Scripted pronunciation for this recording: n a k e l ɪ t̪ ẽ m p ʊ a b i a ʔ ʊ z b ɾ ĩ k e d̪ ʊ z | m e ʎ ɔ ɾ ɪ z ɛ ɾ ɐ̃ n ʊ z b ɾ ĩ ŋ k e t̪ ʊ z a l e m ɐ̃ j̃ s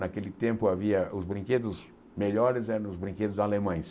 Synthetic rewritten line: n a k e l ɪ t̪ ẽ m p ʊ a v i ɐ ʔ ʊ z b ɾ ĩ k e d̪ ʊ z | m e ʎ ɔ ɾ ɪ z ɛ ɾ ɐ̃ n ʊ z b ɾ ĩ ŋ k e d̪ ʊ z a l e m ɐ̃ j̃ s